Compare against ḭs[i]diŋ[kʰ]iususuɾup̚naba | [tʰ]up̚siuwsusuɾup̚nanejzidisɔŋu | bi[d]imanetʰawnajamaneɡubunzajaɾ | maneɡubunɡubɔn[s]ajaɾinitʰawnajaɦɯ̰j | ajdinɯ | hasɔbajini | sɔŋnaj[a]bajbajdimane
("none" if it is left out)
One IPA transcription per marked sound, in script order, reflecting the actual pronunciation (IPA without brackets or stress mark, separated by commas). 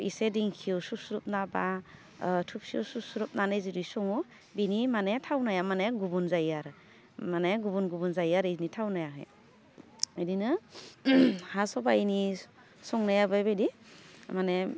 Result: e, kʰ, tʰ, n, z, a